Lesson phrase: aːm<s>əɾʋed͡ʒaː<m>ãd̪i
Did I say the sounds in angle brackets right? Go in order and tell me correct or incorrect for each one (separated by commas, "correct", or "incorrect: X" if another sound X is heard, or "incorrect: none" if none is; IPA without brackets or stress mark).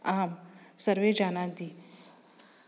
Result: correct, incorrect: n